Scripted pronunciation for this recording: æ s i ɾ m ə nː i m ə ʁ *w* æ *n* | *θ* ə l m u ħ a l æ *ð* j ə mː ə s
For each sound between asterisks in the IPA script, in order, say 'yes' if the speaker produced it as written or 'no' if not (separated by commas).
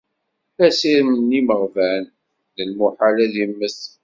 no, yes, no, yes